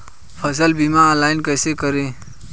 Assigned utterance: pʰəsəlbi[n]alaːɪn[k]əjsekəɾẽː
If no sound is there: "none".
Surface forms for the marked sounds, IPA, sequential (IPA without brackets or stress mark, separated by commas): m, k